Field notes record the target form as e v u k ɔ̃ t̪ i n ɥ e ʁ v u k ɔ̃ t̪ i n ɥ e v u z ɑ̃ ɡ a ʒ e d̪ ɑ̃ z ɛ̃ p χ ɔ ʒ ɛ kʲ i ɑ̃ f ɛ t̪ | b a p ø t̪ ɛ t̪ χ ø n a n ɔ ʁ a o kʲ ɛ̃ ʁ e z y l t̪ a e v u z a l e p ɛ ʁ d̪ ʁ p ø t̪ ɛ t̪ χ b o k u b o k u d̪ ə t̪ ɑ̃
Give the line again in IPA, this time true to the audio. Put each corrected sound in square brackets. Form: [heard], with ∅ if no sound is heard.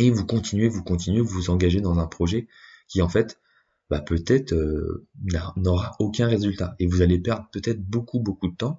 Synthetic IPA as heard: e v u k ɔ̃ t̪ i n ɥ e [∅] v u k ɔ̃ t̪ i n ɥ e v u z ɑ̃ ɡ a ʒ e d̪ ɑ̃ z ɛ̃ p χ ɔ ʒ ɛ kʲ i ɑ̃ f ɛ t̪ | b a p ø t̪ ɛ t̪ χ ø n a n ɔ ʁ a o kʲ ɛ̃ ʁ e z y l t̪ a e v u z a l e p ɛ ʁ d̪ ʁ p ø t̪ ɛ t̪ χ b o k u b o k u d̪ ə t̪ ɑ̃